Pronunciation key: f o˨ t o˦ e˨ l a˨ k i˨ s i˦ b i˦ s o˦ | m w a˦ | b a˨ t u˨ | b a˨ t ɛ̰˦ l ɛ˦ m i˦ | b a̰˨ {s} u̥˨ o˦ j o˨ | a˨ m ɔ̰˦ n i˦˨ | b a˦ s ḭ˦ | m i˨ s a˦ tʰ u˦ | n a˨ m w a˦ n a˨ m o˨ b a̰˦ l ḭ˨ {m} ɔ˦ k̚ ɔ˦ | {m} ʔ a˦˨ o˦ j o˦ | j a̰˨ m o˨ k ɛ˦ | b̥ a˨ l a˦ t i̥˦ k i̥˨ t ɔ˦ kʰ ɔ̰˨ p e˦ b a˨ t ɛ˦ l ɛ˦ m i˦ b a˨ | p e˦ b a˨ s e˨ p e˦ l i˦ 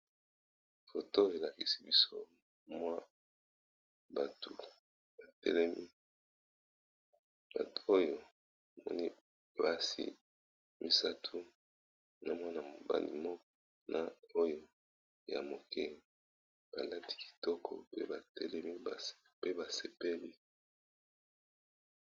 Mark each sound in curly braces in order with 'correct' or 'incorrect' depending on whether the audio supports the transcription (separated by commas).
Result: incorrect, correct, incorrect